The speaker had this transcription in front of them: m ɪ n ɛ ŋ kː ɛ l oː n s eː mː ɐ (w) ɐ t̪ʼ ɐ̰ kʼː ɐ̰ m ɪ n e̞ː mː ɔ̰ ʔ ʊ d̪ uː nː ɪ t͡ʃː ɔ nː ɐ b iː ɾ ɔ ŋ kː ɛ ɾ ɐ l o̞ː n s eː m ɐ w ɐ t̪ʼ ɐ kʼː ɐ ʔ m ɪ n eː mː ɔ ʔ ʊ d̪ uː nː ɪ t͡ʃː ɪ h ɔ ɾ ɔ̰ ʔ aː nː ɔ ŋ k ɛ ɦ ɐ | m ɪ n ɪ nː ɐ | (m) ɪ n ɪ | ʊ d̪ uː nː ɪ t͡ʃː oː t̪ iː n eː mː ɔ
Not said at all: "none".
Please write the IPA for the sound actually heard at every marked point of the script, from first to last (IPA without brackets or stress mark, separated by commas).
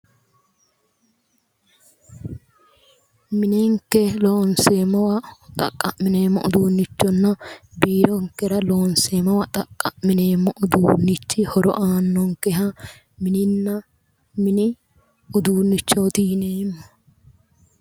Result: w, m